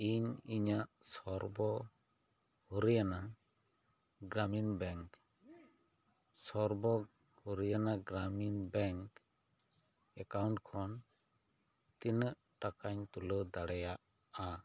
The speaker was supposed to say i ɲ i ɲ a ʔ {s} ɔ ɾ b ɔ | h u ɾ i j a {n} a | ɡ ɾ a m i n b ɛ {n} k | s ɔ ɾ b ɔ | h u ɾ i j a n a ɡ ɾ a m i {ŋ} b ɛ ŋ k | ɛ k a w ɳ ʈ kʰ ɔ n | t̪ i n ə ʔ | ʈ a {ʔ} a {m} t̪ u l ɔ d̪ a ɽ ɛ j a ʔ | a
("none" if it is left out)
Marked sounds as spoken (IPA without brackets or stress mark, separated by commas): s, n, ŋ, n, k, ɲ